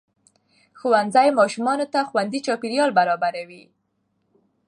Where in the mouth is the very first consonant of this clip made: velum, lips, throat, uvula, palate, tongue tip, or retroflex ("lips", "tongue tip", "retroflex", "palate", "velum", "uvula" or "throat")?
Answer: velum